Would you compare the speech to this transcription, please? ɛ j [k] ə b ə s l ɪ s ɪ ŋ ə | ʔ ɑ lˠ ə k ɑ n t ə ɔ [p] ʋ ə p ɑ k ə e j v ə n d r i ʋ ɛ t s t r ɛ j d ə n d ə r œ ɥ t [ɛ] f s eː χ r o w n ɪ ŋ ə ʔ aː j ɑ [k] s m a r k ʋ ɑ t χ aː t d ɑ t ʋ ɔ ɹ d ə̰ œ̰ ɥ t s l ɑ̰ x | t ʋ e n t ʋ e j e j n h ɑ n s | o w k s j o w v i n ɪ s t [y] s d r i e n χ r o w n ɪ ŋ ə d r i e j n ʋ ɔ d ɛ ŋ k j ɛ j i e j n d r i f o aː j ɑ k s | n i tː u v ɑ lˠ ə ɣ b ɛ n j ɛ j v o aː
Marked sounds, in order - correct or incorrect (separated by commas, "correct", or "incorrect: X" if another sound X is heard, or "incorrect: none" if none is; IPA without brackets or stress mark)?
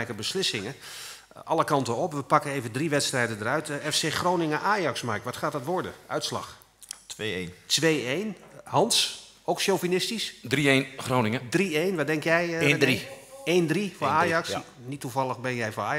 correct, correct, correct, correct, incorrect: i